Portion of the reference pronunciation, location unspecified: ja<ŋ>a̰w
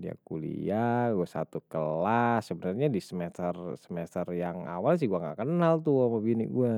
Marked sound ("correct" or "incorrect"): correct